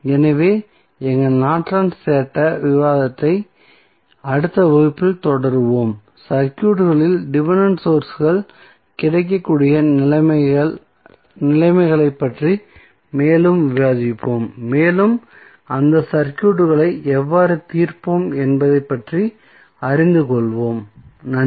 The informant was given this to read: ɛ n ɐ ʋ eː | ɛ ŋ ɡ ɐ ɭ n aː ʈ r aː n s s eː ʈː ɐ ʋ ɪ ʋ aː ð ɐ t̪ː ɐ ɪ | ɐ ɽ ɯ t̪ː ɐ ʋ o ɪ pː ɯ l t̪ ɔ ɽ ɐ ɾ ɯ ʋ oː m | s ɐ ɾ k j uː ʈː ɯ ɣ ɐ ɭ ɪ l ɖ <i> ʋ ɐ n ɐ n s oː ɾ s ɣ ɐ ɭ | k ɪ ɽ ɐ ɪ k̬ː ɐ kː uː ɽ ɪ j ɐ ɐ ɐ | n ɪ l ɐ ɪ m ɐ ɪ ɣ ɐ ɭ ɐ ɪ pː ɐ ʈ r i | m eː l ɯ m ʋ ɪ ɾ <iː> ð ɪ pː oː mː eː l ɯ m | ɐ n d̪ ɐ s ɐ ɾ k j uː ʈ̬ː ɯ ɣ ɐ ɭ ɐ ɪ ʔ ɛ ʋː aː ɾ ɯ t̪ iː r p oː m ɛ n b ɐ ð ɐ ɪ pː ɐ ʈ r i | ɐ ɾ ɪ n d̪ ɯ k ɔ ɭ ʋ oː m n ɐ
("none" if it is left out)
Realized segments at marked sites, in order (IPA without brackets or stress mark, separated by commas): ɪ, aː